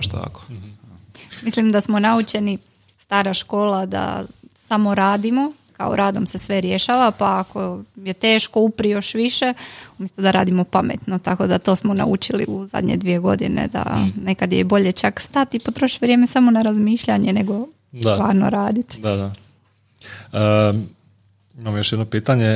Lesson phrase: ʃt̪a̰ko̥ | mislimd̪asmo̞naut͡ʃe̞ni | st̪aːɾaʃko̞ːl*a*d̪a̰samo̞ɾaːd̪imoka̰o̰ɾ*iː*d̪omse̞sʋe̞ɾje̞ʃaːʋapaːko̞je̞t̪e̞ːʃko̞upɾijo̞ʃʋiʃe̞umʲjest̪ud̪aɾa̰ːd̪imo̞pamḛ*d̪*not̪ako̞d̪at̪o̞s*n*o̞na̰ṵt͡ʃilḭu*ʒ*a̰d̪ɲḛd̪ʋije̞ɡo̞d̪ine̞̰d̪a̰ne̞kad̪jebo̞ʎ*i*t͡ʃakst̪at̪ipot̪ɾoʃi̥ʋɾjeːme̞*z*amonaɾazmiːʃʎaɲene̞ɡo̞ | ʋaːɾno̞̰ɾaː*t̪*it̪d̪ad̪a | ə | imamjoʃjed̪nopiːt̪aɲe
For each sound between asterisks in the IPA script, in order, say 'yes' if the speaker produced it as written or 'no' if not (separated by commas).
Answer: yes, no, no, no, no, no, no, no